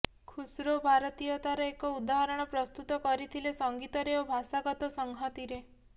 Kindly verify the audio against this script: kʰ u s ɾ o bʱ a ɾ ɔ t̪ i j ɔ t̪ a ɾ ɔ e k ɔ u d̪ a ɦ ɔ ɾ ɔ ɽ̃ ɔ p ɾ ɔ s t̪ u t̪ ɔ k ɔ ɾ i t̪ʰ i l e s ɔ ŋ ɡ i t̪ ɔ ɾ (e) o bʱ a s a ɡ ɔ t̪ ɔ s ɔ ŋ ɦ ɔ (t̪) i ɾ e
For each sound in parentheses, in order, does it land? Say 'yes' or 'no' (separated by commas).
yes, yes